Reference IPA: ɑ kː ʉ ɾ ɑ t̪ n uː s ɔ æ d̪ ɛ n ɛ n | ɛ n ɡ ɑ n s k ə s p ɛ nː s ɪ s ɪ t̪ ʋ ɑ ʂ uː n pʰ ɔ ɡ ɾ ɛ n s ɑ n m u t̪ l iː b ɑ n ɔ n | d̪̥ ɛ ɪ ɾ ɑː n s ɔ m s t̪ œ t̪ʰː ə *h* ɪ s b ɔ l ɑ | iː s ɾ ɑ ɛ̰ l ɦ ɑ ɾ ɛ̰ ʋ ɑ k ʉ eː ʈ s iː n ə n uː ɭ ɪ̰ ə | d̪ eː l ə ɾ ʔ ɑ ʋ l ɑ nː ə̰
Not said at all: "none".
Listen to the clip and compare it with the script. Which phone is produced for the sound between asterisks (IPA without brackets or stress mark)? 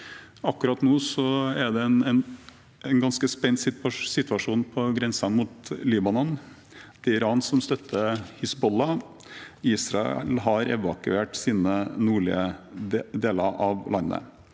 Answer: h